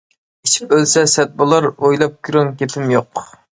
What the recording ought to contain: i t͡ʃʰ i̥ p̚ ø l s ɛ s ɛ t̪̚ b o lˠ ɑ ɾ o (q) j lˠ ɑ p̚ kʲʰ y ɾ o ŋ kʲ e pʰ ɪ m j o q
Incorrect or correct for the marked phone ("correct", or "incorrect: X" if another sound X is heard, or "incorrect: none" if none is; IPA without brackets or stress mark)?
incorrect: none